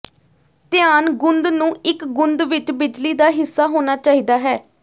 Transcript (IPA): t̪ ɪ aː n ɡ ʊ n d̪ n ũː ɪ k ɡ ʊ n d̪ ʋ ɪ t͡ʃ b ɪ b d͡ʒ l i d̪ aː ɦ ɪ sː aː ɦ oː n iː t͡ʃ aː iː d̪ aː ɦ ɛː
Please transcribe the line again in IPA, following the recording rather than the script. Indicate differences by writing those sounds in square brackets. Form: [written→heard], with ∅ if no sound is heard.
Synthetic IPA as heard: t̪ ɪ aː n ɡ ʊ n d̪ n ũː ɪ k ɡ ʊ n d̪ ʋ ɪ t͡ʃ b ɪ [b→∅] d͡ʒ l [i→iː] d̪ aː ɦ ɪ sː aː ɦ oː n [iː→aː] t͡ʃ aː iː d̪ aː ɦ ɛː